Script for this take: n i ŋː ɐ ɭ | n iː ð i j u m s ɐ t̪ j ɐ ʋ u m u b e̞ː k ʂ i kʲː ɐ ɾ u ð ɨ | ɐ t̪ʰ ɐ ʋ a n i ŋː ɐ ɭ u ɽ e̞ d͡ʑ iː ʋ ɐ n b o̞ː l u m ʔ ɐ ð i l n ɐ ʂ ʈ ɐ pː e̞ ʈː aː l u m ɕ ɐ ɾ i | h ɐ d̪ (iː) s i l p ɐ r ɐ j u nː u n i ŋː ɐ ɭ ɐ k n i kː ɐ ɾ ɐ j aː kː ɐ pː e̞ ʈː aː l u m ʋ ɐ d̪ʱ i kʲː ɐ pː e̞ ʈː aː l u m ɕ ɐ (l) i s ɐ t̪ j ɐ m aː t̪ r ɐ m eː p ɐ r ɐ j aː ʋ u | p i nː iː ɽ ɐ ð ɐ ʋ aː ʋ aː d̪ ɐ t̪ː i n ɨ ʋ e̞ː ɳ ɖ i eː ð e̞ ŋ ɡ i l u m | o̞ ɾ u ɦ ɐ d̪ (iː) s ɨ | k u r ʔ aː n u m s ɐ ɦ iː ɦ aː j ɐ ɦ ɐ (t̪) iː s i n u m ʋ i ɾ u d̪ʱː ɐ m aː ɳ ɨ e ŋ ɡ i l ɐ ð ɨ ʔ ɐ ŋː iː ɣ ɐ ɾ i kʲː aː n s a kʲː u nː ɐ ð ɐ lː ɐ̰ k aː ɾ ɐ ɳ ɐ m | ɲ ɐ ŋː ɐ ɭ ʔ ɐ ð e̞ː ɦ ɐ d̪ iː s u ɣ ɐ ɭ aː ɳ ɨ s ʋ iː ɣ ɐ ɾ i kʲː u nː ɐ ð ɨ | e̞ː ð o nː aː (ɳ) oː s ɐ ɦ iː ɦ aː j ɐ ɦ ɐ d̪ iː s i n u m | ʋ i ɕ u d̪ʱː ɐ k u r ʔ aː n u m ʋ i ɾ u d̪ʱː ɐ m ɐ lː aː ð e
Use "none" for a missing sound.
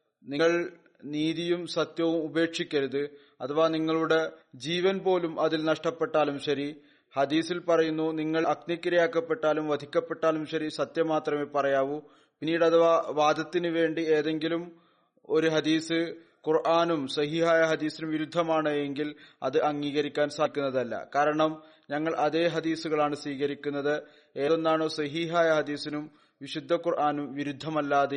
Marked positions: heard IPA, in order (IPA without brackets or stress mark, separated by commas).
iː, ɾ, iː, d̪, ɳ